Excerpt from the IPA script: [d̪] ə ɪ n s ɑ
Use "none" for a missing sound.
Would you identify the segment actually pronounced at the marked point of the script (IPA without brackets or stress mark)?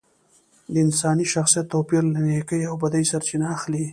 d̪